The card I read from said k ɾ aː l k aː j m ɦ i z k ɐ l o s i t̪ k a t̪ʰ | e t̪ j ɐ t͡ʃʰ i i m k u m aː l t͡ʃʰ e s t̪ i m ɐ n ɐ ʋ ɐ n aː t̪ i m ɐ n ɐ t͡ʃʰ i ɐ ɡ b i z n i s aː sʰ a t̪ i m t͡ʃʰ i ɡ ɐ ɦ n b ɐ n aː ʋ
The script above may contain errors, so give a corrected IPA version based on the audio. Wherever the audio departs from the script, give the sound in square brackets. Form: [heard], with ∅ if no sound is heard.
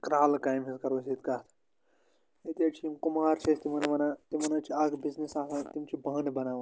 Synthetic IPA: k ɾ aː l k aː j m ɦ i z k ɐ [ɾ] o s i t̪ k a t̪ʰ | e t̪ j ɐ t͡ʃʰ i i m k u m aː [ɾ] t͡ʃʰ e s t̪ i m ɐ n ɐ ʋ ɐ n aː t̪ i m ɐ n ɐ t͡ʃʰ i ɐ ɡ b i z n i s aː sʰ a t̪ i m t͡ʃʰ i [b] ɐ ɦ n b ɐ n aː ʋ

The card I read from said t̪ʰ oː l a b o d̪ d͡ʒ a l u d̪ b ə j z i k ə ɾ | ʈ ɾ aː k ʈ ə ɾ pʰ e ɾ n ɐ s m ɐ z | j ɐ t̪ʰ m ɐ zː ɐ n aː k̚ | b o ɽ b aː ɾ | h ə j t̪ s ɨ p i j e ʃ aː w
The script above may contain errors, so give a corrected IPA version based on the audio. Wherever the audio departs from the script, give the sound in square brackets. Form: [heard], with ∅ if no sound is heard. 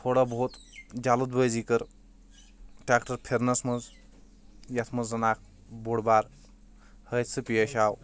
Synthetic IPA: t̪ʰ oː [ɽ] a b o [t̪] d͡ʒ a l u d̪ b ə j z i k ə ɾ | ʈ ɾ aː k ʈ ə ɾ pʰ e ɾ n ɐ s m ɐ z | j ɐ t̪ʰ m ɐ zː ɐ n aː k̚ | b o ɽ b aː ɾ | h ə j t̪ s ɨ p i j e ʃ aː w

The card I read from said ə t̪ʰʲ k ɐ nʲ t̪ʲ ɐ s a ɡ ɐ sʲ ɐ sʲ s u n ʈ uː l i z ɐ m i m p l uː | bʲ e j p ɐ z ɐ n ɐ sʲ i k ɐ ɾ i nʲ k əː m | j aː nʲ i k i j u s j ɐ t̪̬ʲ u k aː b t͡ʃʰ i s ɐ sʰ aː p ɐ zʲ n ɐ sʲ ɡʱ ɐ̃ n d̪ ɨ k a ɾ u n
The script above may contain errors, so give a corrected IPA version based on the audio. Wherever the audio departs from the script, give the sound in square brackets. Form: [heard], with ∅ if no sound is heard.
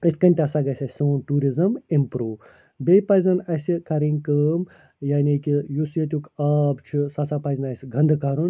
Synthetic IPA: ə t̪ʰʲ k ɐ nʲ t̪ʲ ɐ s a ɡ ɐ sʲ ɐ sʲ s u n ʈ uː [ɾ] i z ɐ m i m p [ɾ] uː | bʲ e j p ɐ z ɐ n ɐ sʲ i k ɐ ɾ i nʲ k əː m | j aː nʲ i k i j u s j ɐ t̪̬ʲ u k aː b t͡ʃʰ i s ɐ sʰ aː p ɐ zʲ n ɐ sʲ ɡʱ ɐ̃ n d̪ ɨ k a ɾ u n

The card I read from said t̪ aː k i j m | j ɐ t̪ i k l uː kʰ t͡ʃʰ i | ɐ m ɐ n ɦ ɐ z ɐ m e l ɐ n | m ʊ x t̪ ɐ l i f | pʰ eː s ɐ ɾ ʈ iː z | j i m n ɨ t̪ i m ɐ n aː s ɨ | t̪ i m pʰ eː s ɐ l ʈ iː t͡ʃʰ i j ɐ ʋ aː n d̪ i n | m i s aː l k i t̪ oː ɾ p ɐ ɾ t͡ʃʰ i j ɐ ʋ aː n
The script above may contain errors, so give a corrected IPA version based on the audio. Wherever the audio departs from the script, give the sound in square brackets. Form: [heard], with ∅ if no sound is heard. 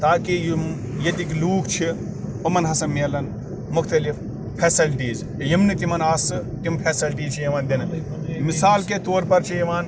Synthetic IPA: t̪ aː k i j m | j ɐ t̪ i k l uː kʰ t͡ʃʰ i | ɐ m ɐ n ɦ ɐ [s] ɐ m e l ɐ n | m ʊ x t̪ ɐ l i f | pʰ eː s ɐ [l] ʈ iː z | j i m n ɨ t̪ i m ɐ n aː s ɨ | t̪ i m pʰ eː s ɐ l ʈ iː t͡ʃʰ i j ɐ ʋ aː n d̪ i n | m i s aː l k [e] t̪ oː ɾ p ɐ ɾ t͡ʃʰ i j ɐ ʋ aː n

